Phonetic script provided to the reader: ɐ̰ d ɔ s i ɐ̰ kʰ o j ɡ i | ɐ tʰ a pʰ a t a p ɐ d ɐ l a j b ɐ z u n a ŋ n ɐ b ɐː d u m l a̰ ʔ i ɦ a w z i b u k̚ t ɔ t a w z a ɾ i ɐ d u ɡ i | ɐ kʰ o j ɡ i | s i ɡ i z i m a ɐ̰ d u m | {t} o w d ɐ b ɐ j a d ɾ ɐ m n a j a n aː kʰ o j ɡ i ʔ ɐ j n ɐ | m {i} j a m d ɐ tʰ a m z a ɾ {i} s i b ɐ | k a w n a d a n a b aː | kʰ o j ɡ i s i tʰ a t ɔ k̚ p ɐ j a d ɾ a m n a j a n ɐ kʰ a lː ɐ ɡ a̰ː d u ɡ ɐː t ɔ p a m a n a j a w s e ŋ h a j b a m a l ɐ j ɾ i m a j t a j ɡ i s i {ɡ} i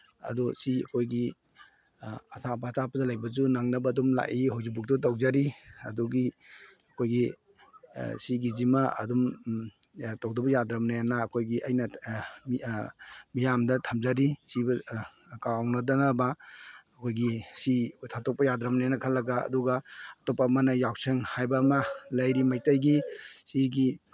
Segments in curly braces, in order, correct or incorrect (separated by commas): correct, correct, correct, correct